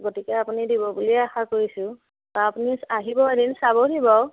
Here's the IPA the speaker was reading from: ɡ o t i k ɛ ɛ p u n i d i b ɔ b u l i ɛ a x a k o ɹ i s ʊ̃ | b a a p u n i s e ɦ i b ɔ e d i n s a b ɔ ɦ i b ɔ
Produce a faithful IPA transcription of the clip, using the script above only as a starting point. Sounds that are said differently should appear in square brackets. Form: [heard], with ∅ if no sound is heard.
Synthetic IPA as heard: ɡ o t i k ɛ [a] p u n i d i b ɔ b u l i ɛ a x a k o ɹ i s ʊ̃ | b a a p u n i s [a] ɦ i b ɔ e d i n s a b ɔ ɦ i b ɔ